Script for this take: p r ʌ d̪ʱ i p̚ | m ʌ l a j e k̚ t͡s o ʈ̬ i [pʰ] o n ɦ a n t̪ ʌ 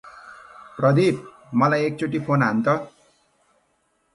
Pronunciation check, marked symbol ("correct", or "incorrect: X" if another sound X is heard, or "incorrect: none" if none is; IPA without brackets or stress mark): correct